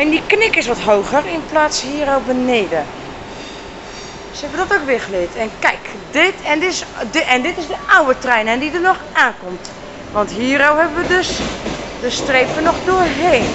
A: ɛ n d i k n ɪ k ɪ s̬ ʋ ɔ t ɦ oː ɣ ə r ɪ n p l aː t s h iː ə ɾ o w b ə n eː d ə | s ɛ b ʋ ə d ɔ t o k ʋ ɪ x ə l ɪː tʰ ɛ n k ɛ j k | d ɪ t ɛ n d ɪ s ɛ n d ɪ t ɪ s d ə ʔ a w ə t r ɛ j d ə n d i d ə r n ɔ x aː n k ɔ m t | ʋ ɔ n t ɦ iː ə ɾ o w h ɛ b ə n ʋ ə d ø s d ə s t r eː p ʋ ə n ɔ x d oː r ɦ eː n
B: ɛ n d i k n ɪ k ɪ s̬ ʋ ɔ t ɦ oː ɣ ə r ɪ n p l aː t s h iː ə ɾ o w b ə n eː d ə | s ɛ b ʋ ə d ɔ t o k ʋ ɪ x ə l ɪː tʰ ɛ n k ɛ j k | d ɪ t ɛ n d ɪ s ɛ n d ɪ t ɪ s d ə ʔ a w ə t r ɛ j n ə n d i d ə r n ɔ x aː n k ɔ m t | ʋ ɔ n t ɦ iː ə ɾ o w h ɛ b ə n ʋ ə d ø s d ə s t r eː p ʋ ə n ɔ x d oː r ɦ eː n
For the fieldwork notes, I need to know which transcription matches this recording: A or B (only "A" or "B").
B